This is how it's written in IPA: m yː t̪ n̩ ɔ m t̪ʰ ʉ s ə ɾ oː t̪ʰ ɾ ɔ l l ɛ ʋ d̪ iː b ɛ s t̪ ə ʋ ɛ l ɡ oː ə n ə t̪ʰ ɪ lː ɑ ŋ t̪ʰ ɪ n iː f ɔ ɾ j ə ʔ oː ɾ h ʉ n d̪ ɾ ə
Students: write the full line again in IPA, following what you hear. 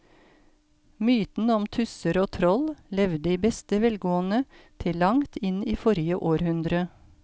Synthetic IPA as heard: m yː t̪ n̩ ɔ m t̪ʰ ʉ s ə ɾ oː t̪ʰ ɾ ɔ l l ɛ ʋ d̪ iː b ɛ s t̪ ə ʋ ɛ l ɡ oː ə n ə t̪ʰ ɪ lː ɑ ŋ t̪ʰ ɪ n iː f ɔ ɾ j ə ʔ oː ɾ h ʉ n d̪ ɾ ə